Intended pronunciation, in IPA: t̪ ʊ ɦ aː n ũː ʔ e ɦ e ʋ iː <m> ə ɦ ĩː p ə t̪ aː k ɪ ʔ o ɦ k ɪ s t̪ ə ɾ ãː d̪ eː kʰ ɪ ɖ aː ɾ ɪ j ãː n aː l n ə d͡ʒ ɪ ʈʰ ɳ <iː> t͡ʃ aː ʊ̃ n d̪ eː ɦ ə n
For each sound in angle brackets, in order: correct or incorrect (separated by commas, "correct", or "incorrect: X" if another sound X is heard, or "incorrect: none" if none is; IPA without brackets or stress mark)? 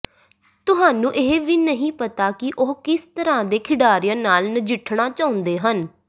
incorrect: n, incorrect: aː